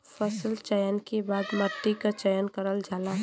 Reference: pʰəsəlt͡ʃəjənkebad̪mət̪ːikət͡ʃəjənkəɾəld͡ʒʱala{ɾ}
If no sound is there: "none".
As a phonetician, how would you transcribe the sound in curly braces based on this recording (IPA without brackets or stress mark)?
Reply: none